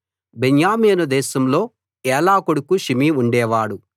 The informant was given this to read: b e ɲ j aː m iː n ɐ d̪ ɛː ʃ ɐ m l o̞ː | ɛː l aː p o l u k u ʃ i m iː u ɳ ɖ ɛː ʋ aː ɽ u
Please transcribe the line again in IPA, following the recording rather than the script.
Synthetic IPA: b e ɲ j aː m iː n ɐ d̪ ɛː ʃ ɐ m l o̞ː | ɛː l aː k o ɽ u k u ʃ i m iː u ɳ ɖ ɛː ʋ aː ɽ u